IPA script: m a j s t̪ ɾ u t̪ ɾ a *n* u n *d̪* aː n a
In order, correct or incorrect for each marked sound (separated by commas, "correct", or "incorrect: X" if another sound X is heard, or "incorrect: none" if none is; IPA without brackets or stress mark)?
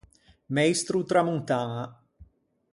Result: incorrect: m, incorrect: t̪